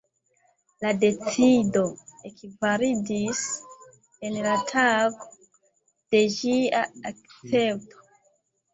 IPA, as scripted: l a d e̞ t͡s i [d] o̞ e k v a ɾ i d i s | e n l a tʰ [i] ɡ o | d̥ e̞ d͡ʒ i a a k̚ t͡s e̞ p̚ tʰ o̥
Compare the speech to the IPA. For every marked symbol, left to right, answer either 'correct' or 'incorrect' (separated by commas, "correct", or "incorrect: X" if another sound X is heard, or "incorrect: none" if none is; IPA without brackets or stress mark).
correct, incorrect: a